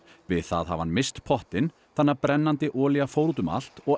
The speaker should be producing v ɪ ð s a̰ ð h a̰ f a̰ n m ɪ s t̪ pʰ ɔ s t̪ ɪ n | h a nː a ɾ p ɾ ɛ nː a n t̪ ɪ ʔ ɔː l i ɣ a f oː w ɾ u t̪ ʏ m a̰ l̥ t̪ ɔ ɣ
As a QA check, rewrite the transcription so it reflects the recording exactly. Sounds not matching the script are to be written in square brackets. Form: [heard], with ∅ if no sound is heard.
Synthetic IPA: v ɪ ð [θ] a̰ ð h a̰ [v] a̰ n m ɪ s t̪ pʰ ɔ [h] t̪ ɪ n | [θ] a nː a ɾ p ɾ ɛ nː a n t̪ ɪ ʔ ɔː l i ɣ a f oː w ɾ u t̪ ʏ m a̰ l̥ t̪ ɔ ɣ

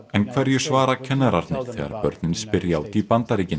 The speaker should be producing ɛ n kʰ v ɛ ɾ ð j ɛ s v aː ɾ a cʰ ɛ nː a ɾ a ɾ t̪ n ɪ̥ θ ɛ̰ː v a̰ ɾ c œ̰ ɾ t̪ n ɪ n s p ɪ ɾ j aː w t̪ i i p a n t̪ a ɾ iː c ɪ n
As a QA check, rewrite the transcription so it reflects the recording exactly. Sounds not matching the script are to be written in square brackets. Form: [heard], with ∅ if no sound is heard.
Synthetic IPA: ɛ n kʰ v ɛ ɾ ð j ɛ s v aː ɾ a cʰ ɛ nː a ɾ a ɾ t̪ n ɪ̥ θ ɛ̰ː [ɣ] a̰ ɾ [p] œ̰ ɾ t̪ n ɪ n s p ɪ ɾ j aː w t̪ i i p a n t̪ a ɾ iː c ɪ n

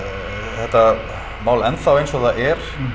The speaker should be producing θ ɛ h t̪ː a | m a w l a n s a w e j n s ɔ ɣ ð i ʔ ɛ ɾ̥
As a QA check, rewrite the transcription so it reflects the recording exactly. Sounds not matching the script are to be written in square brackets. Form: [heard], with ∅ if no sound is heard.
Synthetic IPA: θ ɛ h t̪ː a | m a w l [ɛ] n [θ] a w e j n s ɔ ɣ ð [a] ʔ ɛ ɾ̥

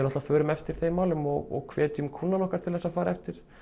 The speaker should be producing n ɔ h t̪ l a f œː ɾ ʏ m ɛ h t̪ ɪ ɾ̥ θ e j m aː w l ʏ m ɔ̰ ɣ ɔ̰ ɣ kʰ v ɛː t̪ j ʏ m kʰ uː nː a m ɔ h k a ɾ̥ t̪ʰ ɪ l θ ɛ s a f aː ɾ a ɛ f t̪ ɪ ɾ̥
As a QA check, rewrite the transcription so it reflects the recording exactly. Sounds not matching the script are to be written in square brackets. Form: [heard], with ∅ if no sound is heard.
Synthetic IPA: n ɔ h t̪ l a f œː ɾ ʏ m ɛ [f] t̪ ɪ ɾ̥ θ e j m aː w l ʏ m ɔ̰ ɣ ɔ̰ ɣ kʰ v ɛː t̪ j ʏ m kʰ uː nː a [n] ɔ h k a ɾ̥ t̪ʰ ɪ l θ ɛ s a f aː ɾ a ɛ f t̪ ɪ ɾ̥

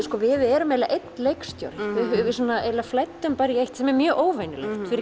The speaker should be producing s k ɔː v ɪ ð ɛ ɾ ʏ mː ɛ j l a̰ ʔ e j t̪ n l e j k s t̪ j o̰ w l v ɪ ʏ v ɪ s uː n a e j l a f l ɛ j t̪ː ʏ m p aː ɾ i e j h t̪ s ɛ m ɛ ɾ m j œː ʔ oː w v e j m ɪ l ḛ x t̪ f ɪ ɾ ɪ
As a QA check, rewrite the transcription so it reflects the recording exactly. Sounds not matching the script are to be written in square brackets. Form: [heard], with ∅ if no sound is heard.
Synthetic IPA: s k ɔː v ɪ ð ɛ ɾ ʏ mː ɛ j l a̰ ʔ e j t̪ n l e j k s t̪ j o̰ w [ɾ] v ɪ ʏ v ɪ s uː n a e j l a f l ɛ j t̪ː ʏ m p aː ɾ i e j h t̪ s ɛ m ɛ ɾ m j œː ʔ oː w v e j [n] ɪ l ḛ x t̪ f ɪ ɾ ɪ

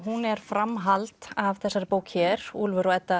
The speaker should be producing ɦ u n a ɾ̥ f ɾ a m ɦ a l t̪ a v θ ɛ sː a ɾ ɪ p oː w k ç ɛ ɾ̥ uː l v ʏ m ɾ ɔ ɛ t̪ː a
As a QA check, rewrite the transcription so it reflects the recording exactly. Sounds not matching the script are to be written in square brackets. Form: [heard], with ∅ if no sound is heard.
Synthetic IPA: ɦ u n [ɛ] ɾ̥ f ɾ a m ɦ a l t̪ a v θ ɛ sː a ɾ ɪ p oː w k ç ɛ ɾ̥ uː l v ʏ [∅] ɾ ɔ ɛ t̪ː a

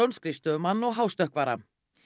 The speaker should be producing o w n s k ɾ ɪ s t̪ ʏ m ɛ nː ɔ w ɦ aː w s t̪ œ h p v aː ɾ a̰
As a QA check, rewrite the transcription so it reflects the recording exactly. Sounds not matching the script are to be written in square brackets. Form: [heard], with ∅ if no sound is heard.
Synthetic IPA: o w n s k ɾ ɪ s t̪ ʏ m [a] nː ɔ [ɣ] ɦ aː w s t̪ œ h [k] v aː ɾ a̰

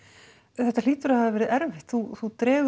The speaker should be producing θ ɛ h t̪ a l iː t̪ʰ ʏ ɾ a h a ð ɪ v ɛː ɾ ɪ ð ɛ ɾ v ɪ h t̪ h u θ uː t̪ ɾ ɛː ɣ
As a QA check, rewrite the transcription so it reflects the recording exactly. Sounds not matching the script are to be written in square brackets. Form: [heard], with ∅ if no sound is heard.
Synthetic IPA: θ ɛ h t̪ a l iː [t̪] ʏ ɾ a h a ð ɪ v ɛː ɾ ɪ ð ɛ ɾ v ɪ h t̪ [θ] u θ [u] t̪ ɾ ɛː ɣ

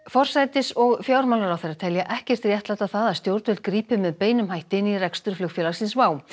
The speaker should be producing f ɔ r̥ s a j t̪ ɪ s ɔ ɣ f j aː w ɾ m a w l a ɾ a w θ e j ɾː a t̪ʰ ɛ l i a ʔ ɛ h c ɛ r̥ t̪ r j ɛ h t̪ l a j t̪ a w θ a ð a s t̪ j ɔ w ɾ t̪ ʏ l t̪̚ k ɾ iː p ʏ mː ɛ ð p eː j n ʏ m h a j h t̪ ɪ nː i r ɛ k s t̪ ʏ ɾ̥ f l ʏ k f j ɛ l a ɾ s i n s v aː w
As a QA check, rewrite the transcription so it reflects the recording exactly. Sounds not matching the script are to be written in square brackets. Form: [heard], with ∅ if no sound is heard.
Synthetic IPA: f ɔ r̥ s a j t̪ ɪ s ɔ ɣ f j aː w ɾ m a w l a ɾ a w θ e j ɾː a t̪ʰ ɛ l [j] a ʔ ɛ h c ɛ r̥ t̪ r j ɛ h t̪ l a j t̪ a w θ a ð a s t̪ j [o] w ɾ t̪ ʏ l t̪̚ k ɾ iː p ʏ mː ɛ ð p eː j n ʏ m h a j h t̪ ɪ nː i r ɛ k s t̪ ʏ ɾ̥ f l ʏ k f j ɛ l a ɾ s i n s v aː w

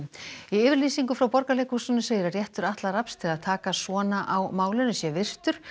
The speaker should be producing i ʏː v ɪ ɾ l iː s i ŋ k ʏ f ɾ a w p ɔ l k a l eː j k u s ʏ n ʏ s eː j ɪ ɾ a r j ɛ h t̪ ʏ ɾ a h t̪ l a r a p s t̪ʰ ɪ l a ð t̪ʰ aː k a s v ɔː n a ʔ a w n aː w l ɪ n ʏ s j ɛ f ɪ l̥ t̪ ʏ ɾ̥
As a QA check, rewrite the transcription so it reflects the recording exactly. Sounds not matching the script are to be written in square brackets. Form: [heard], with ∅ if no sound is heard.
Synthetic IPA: i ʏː v ɪ ɾ l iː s i ŋ k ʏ f ɾ a w p ɔ [ɾ] k a l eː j k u s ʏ n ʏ s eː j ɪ ɾ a r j ɛ h t̪ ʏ ɾ a h t̪ l a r a p s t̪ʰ ɪ l a ð t̪ʰ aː k a s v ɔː n a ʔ a w [m] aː w l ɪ n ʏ s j ɛ [v] ɪ [r̥] t̪ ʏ ɾ̥

